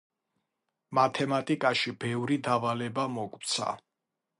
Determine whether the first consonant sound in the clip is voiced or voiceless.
voiced